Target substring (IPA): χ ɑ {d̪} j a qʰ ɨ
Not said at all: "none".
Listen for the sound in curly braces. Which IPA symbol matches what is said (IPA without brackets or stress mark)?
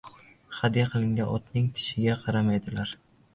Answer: d̪